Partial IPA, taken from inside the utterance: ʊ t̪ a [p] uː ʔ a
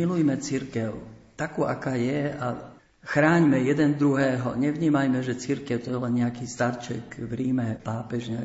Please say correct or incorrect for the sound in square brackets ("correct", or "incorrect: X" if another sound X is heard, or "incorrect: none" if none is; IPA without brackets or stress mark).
incorrect: k